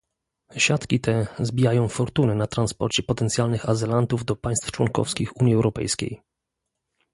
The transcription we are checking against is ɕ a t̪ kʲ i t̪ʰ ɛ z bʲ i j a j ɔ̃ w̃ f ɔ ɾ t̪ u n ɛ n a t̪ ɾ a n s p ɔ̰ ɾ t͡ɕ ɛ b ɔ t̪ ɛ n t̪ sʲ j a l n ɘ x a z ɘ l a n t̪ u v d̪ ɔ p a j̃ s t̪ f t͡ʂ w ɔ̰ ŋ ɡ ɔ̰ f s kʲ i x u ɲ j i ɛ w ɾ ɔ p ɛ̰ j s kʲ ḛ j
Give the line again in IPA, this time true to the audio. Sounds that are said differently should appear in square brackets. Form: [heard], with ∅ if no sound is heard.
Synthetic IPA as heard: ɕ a t̪ kʲ i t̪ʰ ɛ z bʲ i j a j ɔ̃ w̃ f ɔ ɾ t̪ u n ɛ n a t̪ ɾ a n s p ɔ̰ ɾ t͡ɕ ɛ [p] ɔ t̪ ɛ n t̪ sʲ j a l n ɘ x a z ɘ l a n t̪ u v d̪ ɔ p a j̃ s t̪ f t͡ʂ w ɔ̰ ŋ [k] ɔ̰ f s kʲ i x u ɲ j i ɛ w ɾ ɔ p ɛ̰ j s kʲ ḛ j